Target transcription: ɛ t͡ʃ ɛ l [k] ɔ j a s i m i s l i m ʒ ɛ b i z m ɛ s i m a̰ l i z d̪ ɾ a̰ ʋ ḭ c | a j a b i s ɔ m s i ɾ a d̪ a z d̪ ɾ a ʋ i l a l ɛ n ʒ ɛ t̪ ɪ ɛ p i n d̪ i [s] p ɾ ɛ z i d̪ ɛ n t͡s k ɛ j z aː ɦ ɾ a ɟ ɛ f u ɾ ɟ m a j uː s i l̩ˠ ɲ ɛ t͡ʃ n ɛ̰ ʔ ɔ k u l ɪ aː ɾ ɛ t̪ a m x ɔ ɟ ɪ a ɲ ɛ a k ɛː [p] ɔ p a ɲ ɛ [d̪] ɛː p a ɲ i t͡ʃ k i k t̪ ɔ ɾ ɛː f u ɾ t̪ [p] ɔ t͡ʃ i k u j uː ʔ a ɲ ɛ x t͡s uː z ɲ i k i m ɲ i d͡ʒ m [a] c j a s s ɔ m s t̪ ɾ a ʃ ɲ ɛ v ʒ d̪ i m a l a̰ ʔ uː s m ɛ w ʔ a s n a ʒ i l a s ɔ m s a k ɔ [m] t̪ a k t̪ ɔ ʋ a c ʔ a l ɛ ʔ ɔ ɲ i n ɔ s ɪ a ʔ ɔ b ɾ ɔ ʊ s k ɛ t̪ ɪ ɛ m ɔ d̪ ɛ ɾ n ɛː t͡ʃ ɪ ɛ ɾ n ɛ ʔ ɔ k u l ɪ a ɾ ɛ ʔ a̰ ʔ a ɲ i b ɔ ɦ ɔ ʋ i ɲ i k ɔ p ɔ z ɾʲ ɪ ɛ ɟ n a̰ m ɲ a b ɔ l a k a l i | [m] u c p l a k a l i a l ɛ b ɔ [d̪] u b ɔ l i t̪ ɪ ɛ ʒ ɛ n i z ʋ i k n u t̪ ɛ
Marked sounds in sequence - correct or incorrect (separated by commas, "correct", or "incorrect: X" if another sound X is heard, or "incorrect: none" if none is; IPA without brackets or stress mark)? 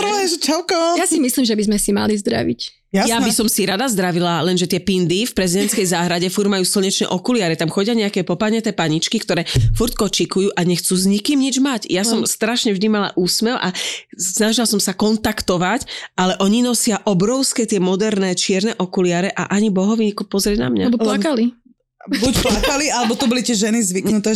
correct, incorrect: f, correct, incorrect: t̪, incorrect: k, correct, incorrect: n, incorrect: b, incorrect: t̪